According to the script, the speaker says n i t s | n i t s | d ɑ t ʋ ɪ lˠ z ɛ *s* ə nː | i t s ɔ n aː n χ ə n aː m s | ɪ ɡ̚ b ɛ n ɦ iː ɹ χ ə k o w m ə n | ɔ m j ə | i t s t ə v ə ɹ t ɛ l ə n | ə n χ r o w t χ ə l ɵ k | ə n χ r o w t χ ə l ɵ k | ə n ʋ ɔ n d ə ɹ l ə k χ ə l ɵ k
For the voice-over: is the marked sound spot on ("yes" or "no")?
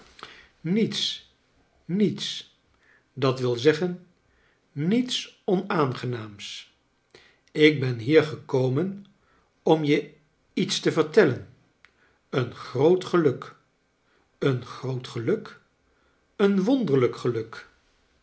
no